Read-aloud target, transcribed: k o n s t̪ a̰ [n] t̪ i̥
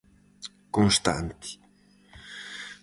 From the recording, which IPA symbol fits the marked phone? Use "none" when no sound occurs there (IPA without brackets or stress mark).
n